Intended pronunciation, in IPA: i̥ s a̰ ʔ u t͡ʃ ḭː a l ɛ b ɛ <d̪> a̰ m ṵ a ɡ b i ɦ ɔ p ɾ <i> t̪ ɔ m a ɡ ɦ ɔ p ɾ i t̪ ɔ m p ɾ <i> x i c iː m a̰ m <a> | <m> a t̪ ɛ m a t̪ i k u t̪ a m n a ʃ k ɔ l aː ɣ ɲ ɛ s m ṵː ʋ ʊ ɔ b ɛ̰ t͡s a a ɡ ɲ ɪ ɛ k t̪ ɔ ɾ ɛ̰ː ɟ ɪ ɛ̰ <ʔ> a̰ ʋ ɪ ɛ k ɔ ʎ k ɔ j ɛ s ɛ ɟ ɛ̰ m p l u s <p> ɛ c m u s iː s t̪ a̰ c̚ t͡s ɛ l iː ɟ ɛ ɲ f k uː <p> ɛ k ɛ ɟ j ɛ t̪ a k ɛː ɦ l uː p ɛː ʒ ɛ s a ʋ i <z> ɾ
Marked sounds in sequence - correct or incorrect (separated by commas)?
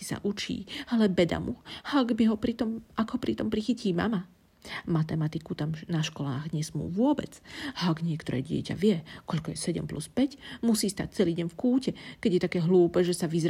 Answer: correct, correct, correct, correct, correct, incorrect, correct, incorrect, correct